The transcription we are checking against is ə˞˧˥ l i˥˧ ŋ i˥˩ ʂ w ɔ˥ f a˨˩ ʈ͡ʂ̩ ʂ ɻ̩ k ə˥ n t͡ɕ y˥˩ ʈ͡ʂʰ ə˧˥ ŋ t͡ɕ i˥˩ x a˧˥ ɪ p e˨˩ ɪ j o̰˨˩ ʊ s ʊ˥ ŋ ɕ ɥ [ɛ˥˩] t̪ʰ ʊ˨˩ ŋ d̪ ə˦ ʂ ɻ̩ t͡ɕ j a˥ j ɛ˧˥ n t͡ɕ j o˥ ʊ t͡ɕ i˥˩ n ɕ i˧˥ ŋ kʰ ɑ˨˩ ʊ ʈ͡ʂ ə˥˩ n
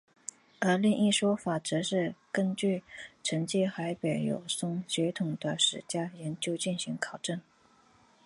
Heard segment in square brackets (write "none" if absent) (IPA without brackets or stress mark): ɛ˧˥